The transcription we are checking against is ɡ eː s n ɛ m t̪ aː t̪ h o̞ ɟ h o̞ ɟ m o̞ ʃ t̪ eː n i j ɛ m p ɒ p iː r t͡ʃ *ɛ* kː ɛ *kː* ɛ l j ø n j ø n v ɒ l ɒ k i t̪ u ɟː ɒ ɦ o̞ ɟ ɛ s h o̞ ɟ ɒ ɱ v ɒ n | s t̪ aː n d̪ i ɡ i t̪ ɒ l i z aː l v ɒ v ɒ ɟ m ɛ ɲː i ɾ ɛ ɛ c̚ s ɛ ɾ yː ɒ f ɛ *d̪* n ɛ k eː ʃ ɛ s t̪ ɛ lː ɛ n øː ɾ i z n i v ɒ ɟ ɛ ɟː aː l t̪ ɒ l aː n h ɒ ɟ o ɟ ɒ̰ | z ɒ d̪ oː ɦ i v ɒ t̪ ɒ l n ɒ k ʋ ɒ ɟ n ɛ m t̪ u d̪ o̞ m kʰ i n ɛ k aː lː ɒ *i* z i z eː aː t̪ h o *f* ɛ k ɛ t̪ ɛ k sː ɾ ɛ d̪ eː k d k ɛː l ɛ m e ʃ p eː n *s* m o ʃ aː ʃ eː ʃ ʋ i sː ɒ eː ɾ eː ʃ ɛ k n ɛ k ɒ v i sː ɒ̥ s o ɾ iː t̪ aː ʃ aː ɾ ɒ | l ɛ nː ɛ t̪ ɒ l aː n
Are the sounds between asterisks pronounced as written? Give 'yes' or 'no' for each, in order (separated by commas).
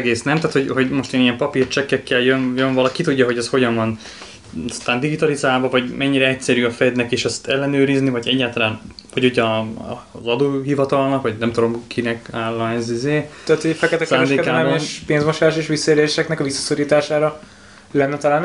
yes, yes, yes, no, yes, no